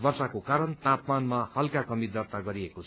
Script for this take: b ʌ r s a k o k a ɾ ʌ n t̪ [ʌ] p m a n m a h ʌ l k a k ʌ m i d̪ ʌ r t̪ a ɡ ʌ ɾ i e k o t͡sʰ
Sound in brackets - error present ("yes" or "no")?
yes